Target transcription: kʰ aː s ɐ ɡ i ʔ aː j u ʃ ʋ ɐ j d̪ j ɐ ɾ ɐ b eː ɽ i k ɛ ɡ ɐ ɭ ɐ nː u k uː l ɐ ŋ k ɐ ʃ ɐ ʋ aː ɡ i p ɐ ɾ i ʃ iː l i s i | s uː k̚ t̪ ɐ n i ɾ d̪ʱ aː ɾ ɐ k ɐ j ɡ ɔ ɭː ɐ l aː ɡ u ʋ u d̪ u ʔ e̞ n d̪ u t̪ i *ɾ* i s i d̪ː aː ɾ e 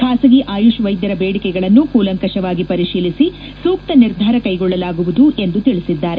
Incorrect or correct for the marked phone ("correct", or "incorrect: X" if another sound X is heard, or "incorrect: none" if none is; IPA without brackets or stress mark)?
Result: incorrect: ɭ